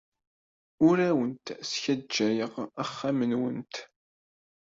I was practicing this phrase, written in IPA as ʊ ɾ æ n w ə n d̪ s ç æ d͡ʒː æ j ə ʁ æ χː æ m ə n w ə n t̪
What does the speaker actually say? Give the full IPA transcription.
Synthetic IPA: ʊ ɾ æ w ə n t̪ s ç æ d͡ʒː æ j ə ʁ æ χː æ m ə n w ə n t̪